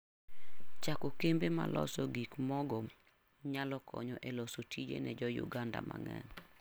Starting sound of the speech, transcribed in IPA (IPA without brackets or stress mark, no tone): t͡ʃ